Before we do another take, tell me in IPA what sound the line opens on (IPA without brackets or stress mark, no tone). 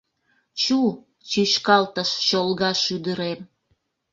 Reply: t͡ɕ